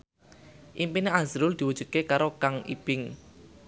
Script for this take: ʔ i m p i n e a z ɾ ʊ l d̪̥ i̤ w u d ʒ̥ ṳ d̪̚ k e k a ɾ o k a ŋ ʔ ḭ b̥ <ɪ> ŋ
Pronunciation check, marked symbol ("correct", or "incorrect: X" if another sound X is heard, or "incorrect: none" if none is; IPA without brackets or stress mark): correct